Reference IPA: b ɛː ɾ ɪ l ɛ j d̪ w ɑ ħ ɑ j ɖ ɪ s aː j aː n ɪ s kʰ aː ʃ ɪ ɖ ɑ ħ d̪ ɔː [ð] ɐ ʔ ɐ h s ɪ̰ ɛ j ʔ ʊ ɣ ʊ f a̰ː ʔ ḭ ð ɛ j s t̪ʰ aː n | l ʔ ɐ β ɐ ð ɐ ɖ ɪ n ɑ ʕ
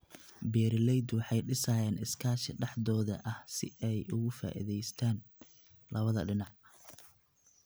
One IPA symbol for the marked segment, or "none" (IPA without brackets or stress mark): ð